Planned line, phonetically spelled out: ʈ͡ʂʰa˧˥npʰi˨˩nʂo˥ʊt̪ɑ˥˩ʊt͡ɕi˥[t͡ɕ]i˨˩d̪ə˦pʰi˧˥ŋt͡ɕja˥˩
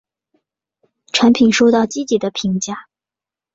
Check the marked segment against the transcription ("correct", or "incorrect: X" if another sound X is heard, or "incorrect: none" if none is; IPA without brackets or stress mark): correct